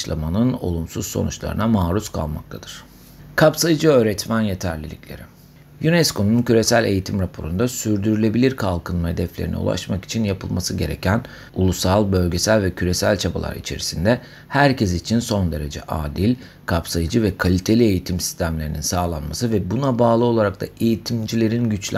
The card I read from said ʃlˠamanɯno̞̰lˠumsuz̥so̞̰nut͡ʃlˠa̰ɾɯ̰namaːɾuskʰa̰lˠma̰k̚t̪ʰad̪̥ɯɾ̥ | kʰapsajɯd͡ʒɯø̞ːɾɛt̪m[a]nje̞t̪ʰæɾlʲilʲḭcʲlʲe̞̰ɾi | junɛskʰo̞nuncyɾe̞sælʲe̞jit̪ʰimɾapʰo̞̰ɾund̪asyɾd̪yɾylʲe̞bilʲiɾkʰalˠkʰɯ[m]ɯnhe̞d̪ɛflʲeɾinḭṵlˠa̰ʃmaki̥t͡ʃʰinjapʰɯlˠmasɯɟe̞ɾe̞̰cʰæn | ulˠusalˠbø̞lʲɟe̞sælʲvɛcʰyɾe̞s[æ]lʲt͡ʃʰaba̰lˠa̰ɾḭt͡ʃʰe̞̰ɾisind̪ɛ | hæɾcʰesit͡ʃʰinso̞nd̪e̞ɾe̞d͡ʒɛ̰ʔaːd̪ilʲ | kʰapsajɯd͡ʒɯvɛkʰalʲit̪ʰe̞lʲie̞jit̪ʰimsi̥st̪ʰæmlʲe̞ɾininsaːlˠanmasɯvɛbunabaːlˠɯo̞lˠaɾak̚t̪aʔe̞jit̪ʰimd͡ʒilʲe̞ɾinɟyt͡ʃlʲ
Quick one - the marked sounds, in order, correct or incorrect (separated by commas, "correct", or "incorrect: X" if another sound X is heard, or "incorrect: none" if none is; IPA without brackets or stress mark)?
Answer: incorrect: æ, incorrect: n, correct